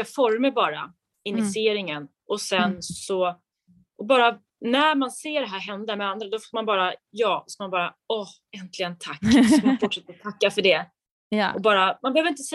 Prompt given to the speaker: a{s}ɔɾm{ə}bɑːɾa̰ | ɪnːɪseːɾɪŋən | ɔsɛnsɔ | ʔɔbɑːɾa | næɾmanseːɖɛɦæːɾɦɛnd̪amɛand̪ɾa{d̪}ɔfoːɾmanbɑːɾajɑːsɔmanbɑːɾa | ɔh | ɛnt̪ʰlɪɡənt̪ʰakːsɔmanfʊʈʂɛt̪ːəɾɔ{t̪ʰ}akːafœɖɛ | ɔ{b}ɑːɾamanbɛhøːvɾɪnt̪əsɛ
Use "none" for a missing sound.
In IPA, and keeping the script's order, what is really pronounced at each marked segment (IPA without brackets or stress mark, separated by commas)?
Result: f, ə, d̪, t̪ʰ, b